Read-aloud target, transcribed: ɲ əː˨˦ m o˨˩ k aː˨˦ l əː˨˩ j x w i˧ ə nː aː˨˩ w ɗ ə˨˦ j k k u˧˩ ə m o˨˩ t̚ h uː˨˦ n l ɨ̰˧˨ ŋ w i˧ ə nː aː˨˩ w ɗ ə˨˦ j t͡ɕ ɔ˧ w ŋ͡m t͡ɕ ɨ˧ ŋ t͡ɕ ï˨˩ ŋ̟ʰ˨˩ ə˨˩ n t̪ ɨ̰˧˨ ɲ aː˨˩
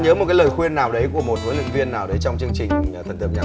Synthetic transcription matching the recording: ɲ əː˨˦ m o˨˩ k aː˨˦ l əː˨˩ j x w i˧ ə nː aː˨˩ w ɗ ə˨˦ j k k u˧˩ ə m o˨˩ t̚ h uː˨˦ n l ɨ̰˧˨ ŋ v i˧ ə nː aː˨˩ w ɗ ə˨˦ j t͡ɕ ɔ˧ w ŋ͡m t͡ɕ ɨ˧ ŋ t͡ɕ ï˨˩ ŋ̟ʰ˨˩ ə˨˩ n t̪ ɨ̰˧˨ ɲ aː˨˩